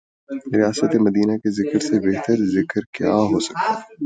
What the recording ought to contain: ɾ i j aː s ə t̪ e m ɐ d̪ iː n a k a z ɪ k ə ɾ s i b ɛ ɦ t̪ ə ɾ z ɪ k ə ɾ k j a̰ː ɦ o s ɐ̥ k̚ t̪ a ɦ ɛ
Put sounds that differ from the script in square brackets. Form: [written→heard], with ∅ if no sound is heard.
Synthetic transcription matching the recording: ɾ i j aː s ə t̪ e m ɐ d̪ iː n a k [a→e] z ɪ k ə ɾ s [i→e] b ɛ ɦ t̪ ə ɾ z ɪ k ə ɾ k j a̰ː ɦ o s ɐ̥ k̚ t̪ a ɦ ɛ